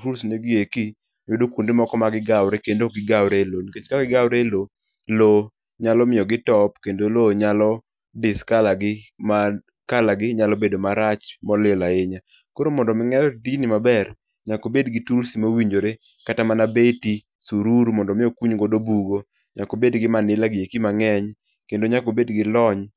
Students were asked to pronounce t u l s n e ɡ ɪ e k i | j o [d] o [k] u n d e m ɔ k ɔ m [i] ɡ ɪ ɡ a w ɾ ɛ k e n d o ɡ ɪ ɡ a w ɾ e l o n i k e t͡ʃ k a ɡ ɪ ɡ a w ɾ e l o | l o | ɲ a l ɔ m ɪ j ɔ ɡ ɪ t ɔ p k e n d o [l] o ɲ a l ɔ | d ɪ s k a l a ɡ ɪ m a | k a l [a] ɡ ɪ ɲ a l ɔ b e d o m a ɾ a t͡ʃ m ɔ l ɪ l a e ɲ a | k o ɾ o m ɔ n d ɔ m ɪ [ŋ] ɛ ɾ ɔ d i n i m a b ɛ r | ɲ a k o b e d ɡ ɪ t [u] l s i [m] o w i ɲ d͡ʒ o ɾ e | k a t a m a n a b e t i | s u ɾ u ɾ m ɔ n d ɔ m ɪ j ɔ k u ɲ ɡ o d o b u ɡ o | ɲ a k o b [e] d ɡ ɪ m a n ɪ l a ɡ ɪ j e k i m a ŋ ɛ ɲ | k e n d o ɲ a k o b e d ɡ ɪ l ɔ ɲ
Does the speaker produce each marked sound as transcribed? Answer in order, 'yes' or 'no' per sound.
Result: yes, yes, no, yes, yes, yes, yes, yes, yes

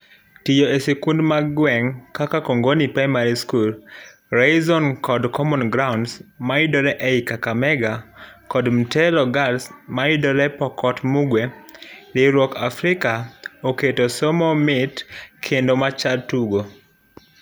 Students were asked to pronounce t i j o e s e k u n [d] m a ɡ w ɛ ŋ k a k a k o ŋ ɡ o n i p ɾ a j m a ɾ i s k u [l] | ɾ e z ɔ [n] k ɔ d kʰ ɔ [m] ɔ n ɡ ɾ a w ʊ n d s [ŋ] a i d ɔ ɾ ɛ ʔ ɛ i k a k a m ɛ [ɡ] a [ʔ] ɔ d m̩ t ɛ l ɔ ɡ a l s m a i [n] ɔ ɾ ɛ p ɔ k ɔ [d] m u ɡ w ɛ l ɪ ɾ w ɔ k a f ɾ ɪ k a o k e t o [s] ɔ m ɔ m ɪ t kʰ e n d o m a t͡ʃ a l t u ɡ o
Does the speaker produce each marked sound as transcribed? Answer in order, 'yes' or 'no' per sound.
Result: yes, yes, yes, yes, no, yes, no, no, no, yes

